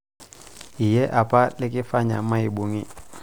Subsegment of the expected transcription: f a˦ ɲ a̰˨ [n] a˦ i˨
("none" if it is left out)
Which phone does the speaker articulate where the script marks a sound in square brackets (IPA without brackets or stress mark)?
m